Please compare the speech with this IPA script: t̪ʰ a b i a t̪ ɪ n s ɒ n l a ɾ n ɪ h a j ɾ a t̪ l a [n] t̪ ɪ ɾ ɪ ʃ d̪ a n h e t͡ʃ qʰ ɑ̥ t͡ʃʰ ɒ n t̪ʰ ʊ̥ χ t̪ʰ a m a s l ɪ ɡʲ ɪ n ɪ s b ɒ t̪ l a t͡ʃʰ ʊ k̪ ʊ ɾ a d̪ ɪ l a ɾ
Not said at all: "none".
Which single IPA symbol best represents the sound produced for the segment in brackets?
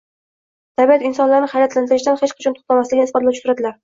n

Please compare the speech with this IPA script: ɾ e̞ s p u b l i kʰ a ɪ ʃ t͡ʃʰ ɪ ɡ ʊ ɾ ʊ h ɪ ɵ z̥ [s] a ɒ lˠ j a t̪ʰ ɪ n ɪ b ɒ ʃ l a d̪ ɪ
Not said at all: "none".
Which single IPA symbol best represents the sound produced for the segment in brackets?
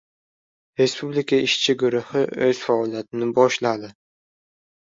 f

